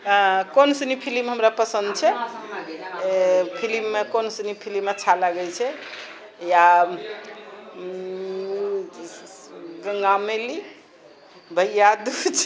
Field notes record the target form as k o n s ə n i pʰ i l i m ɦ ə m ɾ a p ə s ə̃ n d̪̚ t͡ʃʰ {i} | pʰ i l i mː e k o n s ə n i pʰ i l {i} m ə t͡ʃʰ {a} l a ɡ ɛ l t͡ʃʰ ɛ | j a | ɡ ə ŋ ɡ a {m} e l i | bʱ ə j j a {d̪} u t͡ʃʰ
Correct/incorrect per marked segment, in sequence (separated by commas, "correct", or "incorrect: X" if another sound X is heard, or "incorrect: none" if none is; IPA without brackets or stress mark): incorrect: ɛ, correct, correct, correct, correct